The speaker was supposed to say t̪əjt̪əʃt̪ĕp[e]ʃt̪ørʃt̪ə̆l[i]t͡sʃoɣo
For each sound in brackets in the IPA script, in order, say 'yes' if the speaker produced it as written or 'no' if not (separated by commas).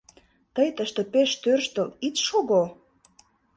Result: yes, yes